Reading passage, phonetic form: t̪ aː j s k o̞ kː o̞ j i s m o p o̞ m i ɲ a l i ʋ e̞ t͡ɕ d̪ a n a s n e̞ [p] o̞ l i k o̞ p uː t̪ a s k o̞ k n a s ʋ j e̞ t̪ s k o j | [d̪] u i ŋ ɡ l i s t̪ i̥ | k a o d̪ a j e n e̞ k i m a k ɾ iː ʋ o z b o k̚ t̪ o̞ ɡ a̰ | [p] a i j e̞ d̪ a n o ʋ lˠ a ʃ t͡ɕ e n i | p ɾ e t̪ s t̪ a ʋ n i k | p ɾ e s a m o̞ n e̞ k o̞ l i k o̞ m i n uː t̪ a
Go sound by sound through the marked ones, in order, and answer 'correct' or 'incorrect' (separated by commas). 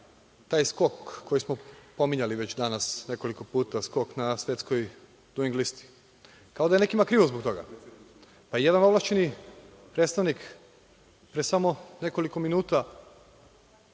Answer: incorrect, correct, correct